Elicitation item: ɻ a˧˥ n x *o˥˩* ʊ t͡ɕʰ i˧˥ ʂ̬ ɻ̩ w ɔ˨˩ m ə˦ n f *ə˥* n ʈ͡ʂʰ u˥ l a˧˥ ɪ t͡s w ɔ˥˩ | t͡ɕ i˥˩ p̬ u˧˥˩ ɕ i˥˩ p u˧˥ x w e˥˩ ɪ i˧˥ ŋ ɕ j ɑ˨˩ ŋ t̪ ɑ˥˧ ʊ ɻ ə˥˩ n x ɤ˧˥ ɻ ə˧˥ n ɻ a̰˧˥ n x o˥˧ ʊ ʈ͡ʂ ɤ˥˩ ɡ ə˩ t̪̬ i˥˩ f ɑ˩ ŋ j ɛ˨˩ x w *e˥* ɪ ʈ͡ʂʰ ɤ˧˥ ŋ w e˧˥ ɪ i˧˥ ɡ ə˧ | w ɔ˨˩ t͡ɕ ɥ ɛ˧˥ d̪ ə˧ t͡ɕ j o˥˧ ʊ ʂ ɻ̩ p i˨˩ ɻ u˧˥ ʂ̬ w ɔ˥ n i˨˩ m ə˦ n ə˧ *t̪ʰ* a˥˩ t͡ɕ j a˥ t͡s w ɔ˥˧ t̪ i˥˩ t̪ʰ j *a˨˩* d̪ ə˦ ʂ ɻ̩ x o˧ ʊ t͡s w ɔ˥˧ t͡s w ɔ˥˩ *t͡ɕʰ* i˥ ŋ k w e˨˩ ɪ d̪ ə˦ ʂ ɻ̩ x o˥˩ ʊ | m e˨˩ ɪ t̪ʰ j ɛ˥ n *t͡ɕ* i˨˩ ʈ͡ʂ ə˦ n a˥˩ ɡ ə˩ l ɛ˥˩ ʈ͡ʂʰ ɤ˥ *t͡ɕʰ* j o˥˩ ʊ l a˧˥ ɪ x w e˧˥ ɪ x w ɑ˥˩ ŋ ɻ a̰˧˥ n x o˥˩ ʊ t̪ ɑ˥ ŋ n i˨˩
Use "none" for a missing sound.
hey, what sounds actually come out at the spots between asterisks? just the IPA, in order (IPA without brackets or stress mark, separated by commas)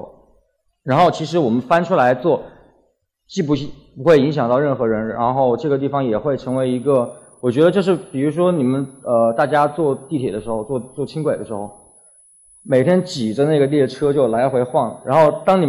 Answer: o˥˩, a˥, e˥˩, t̪, ɛ˨˩, t͡ɕʰ, t͡ɕ, t͡ɕ